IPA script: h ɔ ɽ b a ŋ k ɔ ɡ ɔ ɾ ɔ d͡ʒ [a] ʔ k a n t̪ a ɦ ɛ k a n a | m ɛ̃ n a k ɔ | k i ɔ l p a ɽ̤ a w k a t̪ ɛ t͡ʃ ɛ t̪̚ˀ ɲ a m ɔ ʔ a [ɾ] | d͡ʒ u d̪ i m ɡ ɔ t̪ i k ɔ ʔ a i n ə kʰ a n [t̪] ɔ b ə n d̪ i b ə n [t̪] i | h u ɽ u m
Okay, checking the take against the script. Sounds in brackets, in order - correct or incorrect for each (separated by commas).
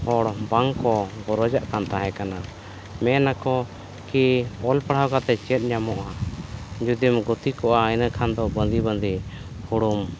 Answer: correct, incorrect, incorrect, incorrect